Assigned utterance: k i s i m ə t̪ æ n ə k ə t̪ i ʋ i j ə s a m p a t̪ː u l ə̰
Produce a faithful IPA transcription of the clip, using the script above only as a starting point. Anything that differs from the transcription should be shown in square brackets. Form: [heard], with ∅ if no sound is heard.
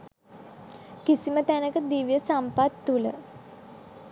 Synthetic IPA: k i s i m ə t̪ æ n ə k ə [d̪] i ʋ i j ə s a m p a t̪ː u l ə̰

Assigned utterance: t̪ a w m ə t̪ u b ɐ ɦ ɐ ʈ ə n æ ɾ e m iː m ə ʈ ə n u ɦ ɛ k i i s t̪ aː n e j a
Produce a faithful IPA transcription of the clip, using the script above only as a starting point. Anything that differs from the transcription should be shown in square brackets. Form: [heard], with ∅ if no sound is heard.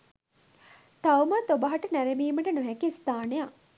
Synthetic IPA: t̪ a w m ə t̪ [o] b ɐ ɦ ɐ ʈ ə n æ ɾ e m iː m ə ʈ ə n u ɦ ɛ k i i s t̪ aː n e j a

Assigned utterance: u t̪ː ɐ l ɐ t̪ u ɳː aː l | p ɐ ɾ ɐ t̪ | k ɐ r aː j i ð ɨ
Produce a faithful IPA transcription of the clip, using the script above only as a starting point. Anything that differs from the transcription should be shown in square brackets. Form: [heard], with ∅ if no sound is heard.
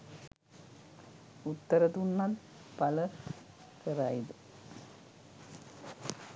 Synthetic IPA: u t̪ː ɐ [ɾ] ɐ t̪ u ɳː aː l | p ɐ [l] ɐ [∅] | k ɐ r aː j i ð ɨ

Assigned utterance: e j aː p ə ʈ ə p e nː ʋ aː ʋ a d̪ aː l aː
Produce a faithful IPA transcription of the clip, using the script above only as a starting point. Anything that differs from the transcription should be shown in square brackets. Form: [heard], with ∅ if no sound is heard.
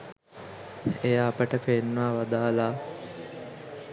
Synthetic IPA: e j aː p ə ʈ ə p e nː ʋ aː ʋ a d̪ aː l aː

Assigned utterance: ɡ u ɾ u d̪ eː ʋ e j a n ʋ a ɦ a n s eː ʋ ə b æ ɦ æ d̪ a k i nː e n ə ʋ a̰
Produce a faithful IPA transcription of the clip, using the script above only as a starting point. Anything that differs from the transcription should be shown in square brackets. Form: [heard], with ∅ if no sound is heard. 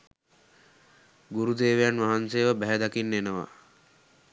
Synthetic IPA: ɡ u ɾ u d̪ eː ʋ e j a n ʋ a ɦ a n s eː ʋ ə b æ ɦ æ d̪ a k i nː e n ə ʋ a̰

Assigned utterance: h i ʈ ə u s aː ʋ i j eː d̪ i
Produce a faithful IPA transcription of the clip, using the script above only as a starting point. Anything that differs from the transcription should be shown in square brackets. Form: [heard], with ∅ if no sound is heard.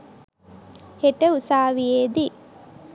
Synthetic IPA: h [e] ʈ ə u s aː ʋ i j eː d̪ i

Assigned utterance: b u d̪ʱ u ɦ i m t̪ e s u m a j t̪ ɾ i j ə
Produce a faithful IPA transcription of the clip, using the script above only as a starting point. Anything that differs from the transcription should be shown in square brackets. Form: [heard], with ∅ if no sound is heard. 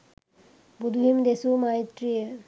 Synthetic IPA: b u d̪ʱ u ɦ i m [d̪] e s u m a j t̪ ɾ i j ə

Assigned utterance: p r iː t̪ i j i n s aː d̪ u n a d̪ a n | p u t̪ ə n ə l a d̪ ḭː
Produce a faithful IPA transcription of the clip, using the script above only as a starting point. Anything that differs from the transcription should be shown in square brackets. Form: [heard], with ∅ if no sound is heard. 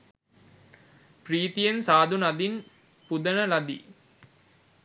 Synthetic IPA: p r iː t̪ i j [e] n s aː d̪ u n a d̪ [i] n | p u [d̪] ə n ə l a d̪ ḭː

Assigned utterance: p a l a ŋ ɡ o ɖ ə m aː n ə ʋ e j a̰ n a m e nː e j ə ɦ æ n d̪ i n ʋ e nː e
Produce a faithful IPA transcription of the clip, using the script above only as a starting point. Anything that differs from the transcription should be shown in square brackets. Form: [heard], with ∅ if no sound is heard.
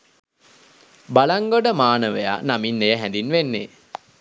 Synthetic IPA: [b] a l a ŋ ɡ o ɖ ə m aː n ə ʋ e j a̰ n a m [i] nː e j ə ɦ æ n d̪ i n ʋ e nː e

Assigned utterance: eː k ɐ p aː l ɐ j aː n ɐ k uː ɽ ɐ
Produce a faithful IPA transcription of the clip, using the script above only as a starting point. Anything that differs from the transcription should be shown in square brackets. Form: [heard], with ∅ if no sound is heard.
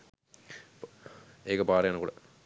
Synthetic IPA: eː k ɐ p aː [ɾ] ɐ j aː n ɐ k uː ɽ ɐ

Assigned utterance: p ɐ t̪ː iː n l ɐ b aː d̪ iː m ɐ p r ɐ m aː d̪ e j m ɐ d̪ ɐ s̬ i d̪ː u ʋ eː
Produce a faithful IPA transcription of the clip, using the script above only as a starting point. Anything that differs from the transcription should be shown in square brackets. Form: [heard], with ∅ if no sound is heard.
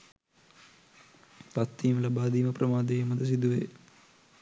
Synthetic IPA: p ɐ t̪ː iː [m] l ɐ b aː d̪ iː m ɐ p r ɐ m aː d̪ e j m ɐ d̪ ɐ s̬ i [d̪] u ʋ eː

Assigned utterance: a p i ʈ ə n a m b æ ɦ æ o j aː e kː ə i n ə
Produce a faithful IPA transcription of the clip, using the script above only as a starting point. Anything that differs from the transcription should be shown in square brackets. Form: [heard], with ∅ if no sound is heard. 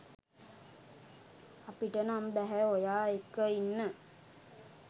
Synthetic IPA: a p i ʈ ə n a m b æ ɦ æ o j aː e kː ə i [nː] ə

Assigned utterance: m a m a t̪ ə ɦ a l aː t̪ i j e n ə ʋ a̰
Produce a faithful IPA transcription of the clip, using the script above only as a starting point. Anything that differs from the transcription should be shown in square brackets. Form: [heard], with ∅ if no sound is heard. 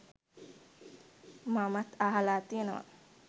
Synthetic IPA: m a m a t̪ [a] ɦ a l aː t̪ i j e n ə ʋ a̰

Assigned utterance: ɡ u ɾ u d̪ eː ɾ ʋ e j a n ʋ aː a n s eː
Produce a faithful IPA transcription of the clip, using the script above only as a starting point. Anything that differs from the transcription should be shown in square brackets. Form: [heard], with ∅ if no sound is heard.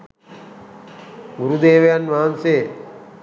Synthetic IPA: ɡ u ɾ u d̪ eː [∅] ʋ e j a n ʋ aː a n s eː

